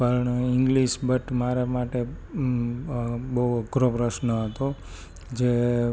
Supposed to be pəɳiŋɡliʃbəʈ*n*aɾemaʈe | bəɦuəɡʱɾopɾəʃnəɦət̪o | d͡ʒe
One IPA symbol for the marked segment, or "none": m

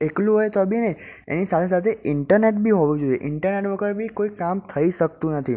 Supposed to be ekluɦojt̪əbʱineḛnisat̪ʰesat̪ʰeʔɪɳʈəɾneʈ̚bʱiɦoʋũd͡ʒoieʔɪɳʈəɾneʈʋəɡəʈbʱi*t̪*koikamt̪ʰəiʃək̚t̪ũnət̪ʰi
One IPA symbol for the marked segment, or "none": none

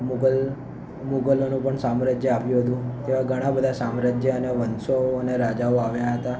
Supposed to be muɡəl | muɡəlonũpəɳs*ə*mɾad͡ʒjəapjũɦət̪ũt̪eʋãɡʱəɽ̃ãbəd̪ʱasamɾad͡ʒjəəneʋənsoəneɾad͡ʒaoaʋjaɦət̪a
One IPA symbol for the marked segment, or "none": a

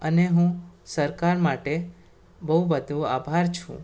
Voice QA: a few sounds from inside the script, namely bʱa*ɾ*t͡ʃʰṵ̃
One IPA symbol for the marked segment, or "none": ɾ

